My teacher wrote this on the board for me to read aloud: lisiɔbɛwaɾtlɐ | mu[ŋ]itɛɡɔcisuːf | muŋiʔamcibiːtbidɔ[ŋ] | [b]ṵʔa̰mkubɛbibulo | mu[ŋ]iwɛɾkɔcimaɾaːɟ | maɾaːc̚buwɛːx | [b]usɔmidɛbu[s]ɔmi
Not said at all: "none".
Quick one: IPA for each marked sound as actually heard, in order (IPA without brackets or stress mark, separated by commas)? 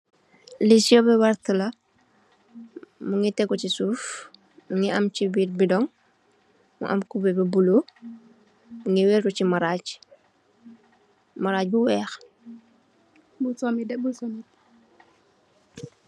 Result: ŋ, ŋ, m, ŋ, b, s